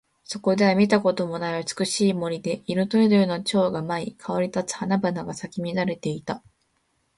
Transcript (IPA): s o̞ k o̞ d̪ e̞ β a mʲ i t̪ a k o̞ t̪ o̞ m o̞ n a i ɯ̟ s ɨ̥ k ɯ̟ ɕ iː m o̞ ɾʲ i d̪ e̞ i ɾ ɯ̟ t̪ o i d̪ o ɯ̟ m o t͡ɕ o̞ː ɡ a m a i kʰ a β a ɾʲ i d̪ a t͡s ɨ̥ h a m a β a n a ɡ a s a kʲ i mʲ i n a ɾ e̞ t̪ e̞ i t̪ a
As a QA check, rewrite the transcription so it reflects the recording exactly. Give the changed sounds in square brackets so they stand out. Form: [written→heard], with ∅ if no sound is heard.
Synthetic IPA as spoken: s o̞ k o̞ d̪ e̞ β a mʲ i t̪ a k o̞ t̪ o̞ m o̞ n a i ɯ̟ [s→t͡s] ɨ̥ k ɯ̟ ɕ iː m o̞ ɾʲ i d̪ e̞ i ɾ ɯ̟ t̪ o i d̪ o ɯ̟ [m→n] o t͡ɕ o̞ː ɡ a m a i kʰ a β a ɾʲ i [d̪→t̪] a t͡s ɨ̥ h a [m→n] a [β→b] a n a ɡ a s a kʲ i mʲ i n a ɾ e̞ t̪ e̞ i t̪ a